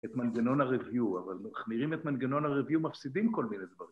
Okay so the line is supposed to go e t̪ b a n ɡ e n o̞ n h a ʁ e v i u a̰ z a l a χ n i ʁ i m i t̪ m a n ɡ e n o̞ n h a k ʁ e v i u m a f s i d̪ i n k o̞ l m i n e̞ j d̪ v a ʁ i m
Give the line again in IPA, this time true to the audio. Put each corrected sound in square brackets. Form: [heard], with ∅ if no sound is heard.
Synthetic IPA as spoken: e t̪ [m] a n ɡ e n o̞ n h a ʁ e v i u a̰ [v] a l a χ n i ʁ i m [e] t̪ m a n ɡ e n o̞ n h a [∅] ʁ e v i u m a f s i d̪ i [m] k o̞ l m i n e̞ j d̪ v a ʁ i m

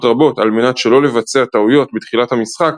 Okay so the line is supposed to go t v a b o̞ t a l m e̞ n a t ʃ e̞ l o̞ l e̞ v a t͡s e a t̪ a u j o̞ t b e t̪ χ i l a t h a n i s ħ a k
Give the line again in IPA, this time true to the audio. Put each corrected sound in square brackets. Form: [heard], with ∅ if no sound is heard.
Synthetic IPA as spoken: t [ʁ] a b o̞ t a l m e̞ n a t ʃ e̞ l o̞ l e̞ v a t͡s e a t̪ a u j o̞ t b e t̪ χ i l a t h a [m] i s [χ] a k

